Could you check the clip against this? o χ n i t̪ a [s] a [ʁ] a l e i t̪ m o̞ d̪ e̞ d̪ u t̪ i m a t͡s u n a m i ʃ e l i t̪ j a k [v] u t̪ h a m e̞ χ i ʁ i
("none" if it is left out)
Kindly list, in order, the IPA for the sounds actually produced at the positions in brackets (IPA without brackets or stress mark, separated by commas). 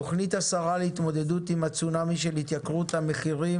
s, ʁ, ʁ